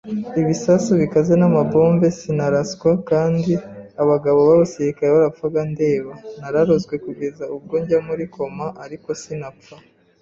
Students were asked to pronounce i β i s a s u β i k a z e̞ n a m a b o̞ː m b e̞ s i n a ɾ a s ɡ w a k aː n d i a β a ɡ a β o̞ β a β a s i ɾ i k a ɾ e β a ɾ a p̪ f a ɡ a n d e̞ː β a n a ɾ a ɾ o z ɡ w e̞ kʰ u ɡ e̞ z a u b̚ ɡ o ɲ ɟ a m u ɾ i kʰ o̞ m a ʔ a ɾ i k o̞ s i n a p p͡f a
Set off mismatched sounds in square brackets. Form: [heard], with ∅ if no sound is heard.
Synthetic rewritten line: i β i s a s u β i k a z e̞ n a m a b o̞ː m b e̞ s i n a ɾ a s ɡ w a k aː n d i a β a ɡ a β o̞ β a β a s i ɾ i k a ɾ e β a ɾ a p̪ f a ɡ a n d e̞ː β a n a ɾ a ɾ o z ɡ w e̞ [k] u ɡ e̞ z a u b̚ ɡ o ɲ ɟ a m u ɾ i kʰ o̞ m a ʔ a ɾ i k o̞ s i n a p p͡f a